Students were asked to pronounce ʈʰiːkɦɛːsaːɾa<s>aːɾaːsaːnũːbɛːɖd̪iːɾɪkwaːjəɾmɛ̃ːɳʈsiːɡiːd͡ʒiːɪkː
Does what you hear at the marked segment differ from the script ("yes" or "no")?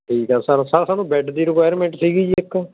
no